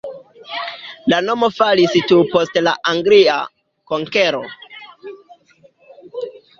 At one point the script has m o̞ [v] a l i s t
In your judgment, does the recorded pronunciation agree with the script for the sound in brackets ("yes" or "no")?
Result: no